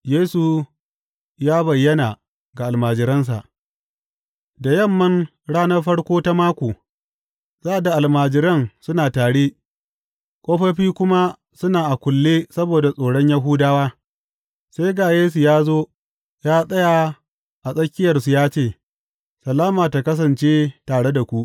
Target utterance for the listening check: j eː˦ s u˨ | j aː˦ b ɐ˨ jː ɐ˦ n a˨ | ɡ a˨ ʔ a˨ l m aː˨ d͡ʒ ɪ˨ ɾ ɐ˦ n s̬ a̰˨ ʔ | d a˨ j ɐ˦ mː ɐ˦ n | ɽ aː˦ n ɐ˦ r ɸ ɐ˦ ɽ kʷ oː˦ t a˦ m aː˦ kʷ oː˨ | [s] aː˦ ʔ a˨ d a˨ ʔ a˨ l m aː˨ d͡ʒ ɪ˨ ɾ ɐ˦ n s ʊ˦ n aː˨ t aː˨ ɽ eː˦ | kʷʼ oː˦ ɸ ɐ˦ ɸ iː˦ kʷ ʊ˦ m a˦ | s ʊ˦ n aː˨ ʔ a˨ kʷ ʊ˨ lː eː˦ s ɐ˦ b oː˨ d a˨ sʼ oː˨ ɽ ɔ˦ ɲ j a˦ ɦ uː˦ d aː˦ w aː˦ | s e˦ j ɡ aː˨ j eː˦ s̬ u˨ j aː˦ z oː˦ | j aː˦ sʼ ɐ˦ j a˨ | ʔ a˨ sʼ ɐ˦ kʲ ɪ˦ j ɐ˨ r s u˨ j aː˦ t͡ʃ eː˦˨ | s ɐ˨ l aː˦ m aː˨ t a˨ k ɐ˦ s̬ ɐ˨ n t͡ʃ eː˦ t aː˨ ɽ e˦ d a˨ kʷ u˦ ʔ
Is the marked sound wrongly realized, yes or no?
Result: yes